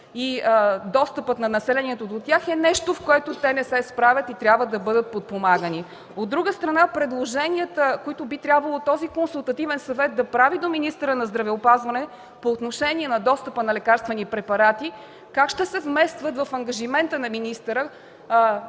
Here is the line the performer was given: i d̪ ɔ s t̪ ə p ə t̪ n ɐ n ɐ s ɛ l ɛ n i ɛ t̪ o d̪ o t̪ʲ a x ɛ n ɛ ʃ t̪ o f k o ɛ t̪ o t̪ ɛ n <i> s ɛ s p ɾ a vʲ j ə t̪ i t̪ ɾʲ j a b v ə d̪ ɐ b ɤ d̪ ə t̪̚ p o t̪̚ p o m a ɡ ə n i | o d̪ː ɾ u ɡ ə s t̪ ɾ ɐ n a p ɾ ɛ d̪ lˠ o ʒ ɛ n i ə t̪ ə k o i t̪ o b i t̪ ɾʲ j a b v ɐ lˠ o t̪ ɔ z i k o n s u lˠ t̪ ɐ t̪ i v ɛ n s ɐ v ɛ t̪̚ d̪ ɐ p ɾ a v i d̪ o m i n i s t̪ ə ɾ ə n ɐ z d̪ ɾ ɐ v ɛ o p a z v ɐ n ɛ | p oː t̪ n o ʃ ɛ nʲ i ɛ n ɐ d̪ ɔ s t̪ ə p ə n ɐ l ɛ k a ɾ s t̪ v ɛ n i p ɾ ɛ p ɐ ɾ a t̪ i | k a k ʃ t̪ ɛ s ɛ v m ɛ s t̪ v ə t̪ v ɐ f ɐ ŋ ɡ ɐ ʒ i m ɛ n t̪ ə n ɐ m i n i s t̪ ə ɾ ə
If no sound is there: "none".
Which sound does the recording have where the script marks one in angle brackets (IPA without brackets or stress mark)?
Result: ɛ